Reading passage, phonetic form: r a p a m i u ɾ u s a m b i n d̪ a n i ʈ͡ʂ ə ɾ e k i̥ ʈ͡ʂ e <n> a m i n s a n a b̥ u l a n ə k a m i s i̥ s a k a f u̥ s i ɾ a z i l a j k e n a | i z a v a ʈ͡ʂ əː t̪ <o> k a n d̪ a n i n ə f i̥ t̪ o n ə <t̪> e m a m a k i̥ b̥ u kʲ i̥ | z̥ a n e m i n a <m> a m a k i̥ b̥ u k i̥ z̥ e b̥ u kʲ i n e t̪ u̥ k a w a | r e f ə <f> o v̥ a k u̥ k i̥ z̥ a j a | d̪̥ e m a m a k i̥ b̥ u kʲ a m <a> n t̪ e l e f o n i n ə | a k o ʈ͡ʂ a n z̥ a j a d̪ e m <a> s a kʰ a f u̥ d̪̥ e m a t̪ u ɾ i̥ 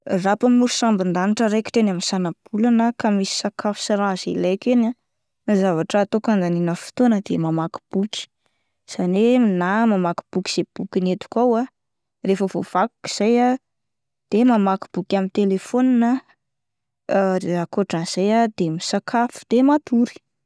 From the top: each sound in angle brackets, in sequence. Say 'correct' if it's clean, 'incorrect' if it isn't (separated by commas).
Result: correct, correct, incorrect, correct, incorrect, incorrect, incorrect